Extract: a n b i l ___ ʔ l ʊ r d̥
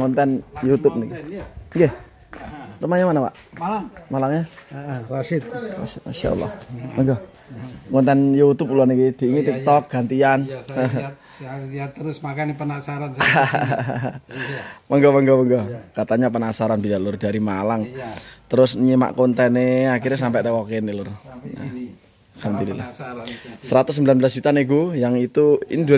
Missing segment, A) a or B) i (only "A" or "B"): A